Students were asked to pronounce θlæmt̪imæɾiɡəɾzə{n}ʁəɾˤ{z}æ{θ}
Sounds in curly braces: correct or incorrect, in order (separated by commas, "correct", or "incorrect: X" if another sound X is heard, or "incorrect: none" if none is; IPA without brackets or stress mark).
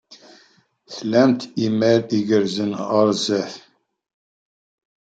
correct, correct, correct